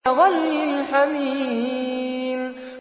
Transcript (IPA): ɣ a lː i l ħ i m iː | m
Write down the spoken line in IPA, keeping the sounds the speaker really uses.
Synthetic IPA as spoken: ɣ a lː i l ħ a m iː | m

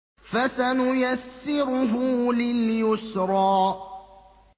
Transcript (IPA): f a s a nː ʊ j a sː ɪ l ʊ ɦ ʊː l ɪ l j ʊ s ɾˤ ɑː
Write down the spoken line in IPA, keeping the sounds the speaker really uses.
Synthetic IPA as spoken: f a s a n ʊ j a sː ɪ ɾ ʊ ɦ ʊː l ɪ l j ʊ s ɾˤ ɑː

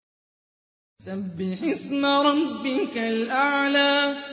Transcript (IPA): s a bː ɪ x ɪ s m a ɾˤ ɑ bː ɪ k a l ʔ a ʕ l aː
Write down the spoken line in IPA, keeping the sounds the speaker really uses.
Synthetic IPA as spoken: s a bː ɪ ħ ɪ s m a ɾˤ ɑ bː ɪ k a l ʔ a ʕ l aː

